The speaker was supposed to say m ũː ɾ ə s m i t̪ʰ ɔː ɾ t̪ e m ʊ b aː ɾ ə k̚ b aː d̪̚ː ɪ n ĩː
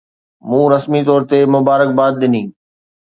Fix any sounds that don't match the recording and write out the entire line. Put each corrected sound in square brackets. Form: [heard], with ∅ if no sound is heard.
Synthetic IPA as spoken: m ũː ɾ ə s m i [t̪] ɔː ɾ t̪ e m ʊ b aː ɾ ə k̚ b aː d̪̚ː ɪ n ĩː